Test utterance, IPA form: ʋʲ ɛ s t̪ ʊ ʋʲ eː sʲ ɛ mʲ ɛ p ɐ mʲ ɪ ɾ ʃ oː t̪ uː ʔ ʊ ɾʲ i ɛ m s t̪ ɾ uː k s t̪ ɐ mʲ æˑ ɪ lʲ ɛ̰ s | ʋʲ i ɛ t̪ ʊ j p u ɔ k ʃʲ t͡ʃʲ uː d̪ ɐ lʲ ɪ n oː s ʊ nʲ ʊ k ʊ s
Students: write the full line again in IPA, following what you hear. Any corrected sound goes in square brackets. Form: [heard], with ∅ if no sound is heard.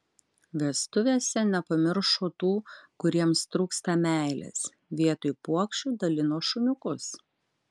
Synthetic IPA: ʋʲ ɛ s t̪ ʊ ʋʲ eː sʲ ɛ [nʲ] ɛ p ɐ mʲ ɪ ɾ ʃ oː t̪ uː [k] ʊ ɾʲ i ɛ m s t̪ ɾ uː k s t̪ ɐ mʲ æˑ ɪ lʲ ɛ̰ s | ʋʲ i ɛ t̪ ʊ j p u ɔ k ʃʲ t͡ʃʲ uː d̪ ɐ lʲ ɪ n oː [ʃ] ʊ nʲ ʊ k ʊ s

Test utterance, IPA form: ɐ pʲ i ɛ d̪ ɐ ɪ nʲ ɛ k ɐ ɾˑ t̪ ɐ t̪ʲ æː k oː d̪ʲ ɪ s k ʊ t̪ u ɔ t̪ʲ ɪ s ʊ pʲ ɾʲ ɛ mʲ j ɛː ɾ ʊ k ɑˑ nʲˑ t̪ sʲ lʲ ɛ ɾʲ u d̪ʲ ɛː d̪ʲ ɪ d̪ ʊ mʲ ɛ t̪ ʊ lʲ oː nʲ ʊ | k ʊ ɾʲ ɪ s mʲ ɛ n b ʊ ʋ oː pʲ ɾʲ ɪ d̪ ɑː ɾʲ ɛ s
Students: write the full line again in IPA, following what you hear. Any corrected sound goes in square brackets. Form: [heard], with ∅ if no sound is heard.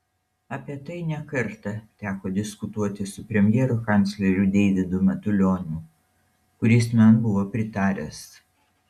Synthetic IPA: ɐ pʲ i ɛ [t̪] ɐ ɪ nʲ ɛ k ɐ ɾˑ t̪ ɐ t̪ʲ æː k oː d̪ʲ ɪ s k ʊ t̪ u ɔ t̪ʲ ɪ s ʊ pʲ ɾʲ ɛ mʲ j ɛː ɾ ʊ k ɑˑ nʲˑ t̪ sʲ lʲ ɛ ɾʲ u d̪ʲ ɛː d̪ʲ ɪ d̪ ʊ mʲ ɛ t̪ ʊ lʲ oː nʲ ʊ | k ʊ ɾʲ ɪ s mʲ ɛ n b ʊ ʋ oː pʲ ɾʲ ɪ [t̪] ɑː ɾʲ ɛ s

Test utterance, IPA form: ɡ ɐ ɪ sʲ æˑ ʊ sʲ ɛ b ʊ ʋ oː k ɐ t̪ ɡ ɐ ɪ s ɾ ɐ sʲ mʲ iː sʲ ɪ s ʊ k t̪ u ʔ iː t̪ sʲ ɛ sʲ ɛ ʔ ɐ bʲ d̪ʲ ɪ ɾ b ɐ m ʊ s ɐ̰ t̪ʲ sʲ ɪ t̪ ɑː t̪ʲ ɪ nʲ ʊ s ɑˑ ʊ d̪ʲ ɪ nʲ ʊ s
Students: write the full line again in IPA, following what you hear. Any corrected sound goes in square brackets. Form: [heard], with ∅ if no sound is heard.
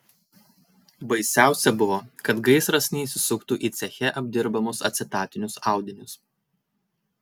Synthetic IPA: [b] ɐ ɪ sʲ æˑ ʊ sʲ ɛ b ʊ ʋ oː k ɐ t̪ ɡ ɐ ɪ s ɾ ɐ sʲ [nʲ] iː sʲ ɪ s ʊ k t̪ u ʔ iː t̪ sʲ ɛ [xʲ] ɛ ʔ ɐ bʲ d̪ʲ ɪ ɾ b ɐ m ʊ s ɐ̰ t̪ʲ sʲ ɪ t̪ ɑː t̪ʲ ɪ nʲ ʊ s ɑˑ ʊ d̪ʲ ɪ nʲ ʊ s

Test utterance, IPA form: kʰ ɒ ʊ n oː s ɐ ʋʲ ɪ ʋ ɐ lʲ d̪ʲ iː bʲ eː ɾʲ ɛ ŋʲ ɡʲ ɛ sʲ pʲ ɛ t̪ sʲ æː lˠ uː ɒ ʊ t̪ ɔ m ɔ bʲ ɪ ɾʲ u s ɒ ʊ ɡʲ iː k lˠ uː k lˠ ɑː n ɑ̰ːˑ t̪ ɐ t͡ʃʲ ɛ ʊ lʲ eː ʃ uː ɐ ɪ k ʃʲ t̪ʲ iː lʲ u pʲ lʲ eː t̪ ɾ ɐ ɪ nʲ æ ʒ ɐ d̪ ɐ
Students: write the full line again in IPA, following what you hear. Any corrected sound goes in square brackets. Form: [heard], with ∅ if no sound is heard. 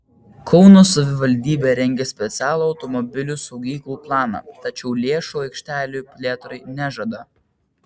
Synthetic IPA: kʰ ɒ ʊ n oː s ɐ ʋʲ ɪ ʋ ɐ lʲ d̪ʲ iː bʲ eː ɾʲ ɛ ŋʲ ɡʲ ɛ sʲ pʲ ɛ t̪ sʲ æː lˠ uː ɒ ʊ t̪ ɔ m ɔ bʲ ɪ [lʲ] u s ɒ ʊ ɡʲ iː k lˠ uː [p] lˠ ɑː n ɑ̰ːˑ t̪ ɐ t͡ʃʲ ɛ ʊ lʲ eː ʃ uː ɐ ɪ k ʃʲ t̪ʲ [æː] lʲ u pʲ lʲ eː t̪ ɾ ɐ ɪ nʲ æ ʒ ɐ d̪ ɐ

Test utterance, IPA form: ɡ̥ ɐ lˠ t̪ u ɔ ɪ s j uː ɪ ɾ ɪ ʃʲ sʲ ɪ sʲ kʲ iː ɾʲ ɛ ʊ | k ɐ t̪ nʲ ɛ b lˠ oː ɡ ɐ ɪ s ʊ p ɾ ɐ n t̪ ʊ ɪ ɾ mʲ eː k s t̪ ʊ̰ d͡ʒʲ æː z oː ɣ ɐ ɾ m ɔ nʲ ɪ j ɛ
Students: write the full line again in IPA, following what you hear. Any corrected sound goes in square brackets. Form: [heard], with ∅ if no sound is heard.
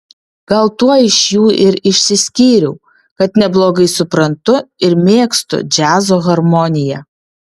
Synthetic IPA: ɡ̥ ɐ lˠ t̪ u ɔ ɪ [ʃ] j uː ɪ ɾ ɪ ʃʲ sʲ ɪ sʲ kʲ iː ɾʲ ɛ ʊ | k ɐ t̪ nʲ ɛ b lˠ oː ɡ ɐ ɪ s ʊ p ɾ ɐ n t̪ ʊ ɪ ɾ mʲ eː k s t̪ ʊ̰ d͡ʒʲ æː z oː ɣ ɐ ɾ m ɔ nʲ ɪ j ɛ

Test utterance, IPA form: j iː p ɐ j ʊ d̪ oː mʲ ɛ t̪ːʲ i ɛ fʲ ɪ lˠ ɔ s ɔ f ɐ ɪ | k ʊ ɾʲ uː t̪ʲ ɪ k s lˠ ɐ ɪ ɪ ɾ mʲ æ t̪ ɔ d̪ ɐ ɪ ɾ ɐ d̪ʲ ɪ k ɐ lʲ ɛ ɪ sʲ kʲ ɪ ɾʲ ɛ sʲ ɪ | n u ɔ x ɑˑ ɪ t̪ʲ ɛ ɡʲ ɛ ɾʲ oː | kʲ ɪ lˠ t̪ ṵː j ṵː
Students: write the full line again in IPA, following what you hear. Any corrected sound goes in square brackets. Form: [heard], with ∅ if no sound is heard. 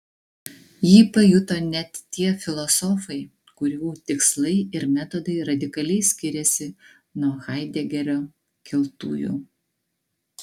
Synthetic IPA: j iː p ɐ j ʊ [t̪] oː [nʲ] ɛ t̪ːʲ i ɛ fʲ ɪ lˠ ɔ s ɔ f ɐ ɪ | k ʊ ɾʲ uː t̪ʲ ɪ k s lˠ ɐ ɪ ɪ ɾ mʲ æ t̪ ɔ d̪ ɐ ɪ ɾ ɐ d̪ʲ ɪ k ɐ lʲ ɛ ɪ sʲ kʲ ɪ ɾʲ ɛ sʲ ɪ | n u ɔ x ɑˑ ɪ [d̪ʲ] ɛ ɡʲ ɛ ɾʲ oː | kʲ ɪ lˠ t̪ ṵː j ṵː

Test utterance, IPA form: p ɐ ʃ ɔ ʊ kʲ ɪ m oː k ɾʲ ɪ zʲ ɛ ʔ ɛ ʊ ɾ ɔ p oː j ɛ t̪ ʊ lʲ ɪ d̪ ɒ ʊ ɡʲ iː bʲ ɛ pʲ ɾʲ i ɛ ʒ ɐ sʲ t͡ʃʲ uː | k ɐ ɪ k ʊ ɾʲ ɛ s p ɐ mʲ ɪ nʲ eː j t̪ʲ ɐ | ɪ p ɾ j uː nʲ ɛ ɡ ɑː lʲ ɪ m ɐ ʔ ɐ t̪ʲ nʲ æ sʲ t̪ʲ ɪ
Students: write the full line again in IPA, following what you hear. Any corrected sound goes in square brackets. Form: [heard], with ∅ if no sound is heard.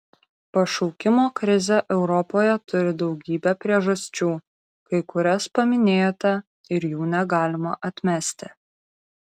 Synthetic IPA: p ɐ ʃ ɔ ʊ kʲ ɪ m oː k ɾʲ ɪ zʲ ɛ ʔ ɛ ʊ ɾ ɔ p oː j ɛ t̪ ʊ [ɾʲ] ɪ d̪ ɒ ʊ ɡʲ iː bʲ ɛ pʲ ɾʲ i ɛ ʒ ɐ sʲ t͡ʃʲ uː | k ɐ ɪ k ʊ ɾʲ ɛ s p ɐ mʲ ɪ nʲ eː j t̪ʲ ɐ | ɪ [∅] ɾ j uː nʲ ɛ ɡ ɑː lʲ ɪ m ɐ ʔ ɐ t̪ʲ [mʲ] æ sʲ t̪ʲ ɪ

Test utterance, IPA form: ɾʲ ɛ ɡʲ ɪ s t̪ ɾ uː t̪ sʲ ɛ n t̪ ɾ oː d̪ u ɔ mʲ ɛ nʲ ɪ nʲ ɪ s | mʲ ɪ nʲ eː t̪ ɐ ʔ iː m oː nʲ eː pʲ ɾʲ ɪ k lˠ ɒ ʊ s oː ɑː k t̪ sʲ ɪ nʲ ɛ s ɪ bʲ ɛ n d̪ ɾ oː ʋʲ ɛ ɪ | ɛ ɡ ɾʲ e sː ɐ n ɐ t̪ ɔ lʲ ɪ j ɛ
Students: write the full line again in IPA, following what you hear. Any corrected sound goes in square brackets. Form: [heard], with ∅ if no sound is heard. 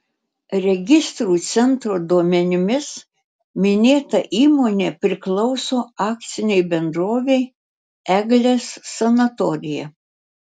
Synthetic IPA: ɾʲ ɛ ɡʲ ɪ s t̪ ɾ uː t̪ sʲ ɛ n t̪ ɾ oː d̪ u ɔ mʲ ɛ nʲ ɪ [mʲ] ɪ s | mʲ ɪ nʲ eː t̪ ɐ ʔ iː m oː nʲ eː pʲ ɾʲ ɪ k lˠ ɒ ʊ s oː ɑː k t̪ sʲ ɪ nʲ ɛ [∅] ɪ bʲ ɛ n d̪ ɾ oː ʋʲ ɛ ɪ | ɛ ɡ [lʲ] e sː ɐ n ɐ t̪ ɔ [ɾʲ] ɪ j ɛ

